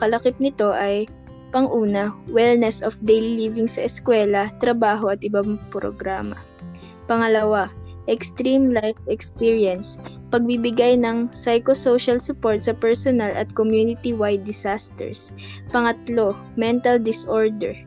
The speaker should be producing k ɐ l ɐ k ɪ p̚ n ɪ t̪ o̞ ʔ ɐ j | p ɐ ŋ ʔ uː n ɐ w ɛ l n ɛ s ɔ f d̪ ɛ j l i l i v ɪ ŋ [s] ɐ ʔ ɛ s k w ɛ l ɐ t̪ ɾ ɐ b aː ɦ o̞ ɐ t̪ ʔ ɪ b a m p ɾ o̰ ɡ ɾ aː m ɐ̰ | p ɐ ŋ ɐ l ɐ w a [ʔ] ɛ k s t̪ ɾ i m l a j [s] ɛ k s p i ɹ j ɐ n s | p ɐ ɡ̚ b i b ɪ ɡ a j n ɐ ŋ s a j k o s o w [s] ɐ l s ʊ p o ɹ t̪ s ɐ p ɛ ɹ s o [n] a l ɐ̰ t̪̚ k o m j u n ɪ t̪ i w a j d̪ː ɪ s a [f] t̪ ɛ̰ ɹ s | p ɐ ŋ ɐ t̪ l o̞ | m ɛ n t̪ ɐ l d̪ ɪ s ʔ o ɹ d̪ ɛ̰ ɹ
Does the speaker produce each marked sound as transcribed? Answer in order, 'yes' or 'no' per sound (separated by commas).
yes, yes, no, no, yes, no